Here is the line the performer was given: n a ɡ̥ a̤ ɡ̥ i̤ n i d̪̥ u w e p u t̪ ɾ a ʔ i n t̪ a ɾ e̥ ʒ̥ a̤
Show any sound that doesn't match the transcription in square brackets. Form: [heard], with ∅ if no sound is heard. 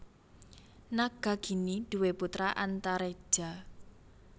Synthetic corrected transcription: n a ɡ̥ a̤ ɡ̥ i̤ n i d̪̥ u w e p u t̪ ɾ a ʔ [a] n t̪ a ɾ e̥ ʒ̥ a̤